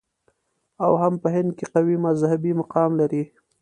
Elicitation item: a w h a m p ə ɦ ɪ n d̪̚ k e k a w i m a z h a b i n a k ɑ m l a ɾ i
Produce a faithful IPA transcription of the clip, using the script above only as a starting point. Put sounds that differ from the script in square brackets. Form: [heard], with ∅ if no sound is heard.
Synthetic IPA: a w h a m p ə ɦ ɪ n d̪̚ k e [q] a w i m a z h a b i [m] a [q] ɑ m l a ɾ i